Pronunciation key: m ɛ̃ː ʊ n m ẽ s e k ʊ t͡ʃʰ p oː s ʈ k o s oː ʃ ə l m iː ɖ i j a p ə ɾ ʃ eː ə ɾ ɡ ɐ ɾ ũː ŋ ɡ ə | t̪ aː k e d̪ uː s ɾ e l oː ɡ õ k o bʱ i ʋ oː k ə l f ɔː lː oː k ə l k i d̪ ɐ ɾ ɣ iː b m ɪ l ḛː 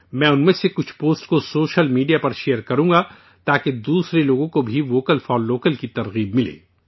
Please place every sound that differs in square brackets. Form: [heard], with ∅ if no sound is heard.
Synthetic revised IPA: m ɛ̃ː ʊ n m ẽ s e k ʊ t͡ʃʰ p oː s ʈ k o s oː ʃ ə l m iː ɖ i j a p [ɐ] ɾ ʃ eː ə ɾ [k] ɐ ɾ ũː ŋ ɡ [a] | t̪ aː k e d̪ uː s ɾ e l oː ɡ õ k o bʱ i ʋ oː k ə l f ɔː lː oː k ə l k i [t̪] ɐ ɾ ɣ iː b m ɪ l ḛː